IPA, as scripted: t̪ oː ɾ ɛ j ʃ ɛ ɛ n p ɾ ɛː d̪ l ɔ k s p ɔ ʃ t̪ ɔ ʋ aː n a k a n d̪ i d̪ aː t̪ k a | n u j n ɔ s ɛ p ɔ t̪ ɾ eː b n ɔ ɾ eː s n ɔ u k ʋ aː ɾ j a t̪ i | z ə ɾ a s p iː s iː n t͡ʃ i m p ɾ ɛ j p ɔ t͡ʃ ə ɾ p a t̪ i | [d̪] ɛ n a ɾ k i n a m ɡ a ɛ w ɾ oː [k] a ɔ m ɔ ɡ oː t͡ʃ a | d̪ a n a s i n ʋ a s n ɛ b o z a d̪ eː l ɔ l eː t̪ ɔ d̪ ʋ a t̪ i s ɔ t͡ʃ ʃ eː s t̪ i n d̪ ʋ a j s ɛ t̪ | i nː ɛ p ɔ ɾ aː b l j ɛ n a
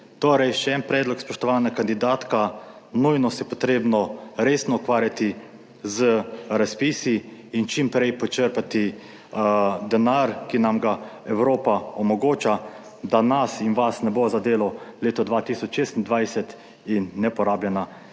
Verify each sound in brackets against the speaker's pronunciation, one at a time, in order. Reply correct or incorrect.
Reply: correct, incorrect: p

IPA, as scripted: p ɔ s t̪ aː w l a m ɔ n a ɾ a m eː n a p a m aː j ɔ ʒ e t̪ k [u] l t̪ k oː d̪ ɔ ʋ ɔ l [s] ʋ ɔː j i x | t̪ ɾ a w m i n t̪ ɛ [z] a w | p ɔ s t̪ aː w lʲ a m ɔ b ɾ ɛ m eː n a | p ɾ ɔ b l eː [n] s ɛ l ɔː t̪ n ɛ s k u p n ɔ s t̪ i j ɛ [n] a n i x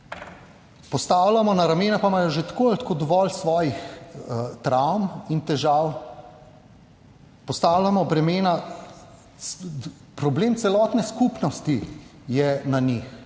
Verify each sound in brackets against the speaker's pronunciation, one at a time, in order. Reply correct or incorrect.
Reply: incorrect: o, correct, incorrect: ʒ, incorrect: m, correct

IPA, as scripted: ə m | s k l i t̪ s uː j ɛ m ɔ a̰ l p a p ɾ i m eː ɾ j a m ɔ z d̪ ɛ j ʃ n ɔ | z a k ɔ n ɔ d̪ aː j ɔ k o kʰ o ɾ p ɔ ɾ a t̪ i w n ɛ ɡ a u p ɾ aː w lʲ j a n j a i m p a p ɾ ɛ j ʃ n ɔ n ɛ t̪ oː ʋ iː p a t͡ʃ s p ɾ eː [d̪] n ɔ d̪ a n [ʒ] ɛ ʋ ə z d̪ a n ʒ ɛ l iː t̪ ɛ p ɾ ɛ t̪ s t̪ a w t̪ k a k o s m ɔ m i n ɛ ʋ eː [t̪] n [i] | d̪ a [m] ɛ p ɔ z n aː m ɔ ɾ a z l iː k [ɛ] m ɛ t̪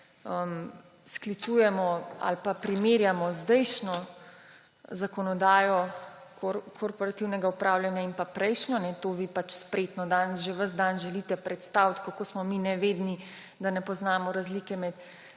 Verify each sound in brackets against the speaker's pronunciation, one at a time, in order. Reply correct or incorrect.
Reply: incorrect: t̪, correct, incorrect: d̪, correct, incorrect: n, correct

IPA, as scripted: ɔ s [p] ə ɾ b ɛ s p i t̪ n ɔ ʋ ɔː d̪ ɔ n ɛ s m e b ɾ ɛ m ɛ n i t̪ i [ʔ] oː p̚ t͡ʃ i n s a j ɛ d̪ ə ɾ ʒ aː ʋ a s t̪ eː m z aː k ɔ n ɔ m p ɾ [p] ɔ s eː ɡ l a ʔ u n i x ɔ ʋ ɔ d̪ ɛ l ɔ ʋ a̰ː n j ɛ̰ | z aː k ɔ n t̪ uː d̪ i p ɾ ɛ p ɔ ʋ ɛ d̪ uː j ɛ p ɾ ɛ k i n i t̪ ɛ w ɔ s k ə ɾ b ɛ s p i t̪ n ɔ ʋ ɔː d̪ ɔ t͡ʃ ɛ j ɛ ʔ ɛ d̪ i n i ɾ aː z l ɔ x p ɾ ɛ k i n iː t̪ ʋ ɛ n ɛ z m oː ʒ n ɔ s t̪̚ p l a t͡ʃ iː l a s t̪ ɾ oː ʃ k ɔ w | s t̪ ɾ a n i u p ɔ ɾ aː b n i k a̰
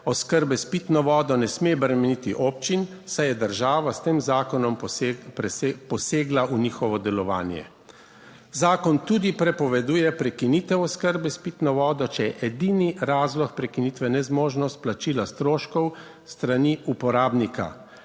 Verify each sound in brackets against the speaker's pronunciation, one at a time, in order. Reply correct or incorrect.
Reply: incorrect: k, correct, correct

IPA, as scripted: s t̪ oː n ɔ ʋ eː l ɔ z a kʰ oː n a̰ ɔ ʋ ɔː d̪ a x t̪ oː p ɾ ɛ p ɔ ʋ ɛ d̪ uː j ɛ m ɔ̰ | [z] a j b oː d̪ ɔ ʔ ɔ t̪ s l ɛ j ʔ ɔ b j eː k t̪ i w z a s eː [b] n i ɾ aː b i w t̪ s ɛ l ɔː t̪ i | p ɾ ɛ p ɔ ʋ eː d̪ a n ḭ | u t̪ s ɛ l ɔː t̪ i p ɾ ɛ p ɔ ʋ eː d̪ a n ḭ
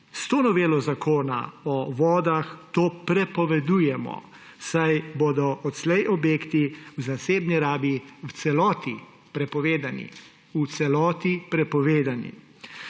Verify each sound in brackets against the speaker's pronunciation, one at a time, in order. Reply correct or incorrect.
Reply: incorrect: s, correct

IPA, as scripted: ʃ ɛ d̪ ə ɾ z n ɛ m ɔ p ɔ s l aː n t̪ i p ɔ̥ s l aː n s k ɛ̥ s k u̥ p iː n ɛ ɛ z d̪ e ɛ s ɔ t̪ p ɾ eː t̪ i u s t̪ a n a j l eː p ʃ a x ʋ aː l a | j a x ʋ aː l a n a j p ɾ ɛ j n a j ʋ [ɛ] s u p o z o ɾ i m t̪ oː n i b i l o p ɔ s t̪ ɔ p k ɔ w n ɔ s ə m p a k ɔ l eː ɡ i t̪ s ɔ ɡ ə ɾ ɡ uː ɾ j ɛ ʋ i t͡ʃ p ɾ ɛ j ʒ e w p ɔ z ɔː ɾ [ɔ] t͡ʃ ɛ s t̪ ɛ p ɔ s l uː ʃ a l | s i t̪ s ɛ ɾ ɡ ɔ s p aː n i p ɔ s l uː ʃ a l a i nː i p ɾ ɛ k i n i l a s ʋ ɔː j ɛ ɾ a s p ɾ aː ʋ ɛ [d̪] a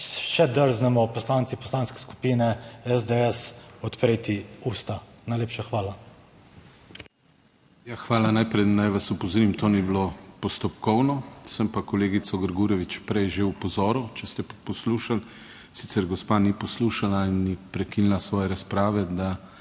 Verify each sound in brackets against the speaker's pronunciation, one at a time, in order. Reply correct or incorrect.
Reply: incorrect: a, incorrect: u, correct

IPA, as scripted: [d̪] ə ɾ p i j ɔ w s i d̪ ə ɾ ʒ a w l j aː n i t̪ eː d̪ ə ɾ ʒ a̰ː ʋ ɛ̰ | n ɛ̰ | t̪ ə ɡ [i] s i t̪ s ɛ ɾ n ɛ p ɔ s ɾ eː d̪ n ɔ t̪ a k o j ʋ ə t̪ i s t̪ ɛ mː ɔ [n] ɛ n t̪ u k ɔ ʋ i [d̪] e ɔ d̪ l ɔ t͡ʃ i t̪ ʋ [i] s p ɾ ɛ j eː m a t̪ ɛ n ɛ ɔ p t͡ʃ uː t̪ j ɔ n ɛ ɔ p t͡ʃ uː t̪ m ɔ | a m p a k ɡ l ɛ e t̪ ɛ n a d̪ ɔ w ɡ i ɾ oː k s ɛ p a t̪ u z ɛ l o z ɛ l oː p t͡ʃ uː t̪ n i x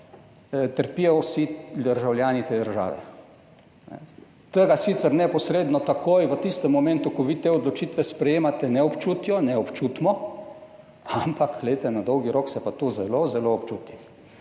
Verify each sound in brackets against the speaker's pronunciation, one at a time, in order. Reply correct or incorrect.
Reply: incorrect: t̪, incorrect: a, incorrect: m, incorrect: t̪, incorrect: ɛ

